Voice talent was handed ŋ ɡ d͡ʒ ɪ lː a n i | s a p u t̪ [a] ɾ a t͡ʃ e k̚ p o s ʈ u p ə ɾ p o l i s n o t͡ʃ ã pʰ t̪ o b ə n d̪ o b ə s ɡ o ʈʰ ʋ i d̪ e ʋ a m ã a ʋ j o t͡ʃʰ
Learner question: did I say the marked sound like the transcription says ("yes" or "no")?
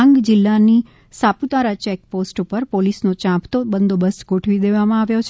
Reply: yes